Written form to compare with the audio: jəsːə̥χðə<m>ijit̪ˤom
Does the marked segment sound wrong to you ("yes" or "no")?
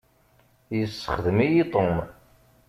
no